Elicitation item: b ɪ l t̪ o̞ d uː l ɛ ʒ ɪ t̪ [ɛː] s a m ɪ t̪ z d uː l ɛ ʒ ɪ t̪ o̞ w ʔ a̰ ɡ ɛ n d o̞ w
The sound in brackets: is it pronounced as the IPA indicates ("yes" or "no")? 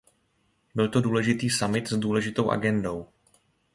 no